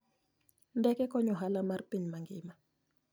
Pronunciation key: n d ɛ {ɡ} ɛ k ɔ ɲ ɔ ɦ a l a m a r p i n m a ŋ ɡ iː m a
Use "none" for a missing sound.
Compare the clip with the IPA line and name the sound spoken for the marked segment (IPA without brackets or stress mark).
k